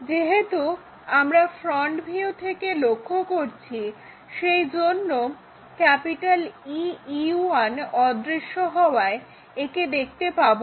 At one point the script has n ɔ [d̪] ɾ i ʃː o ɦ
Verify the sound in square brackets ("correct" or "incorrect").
correct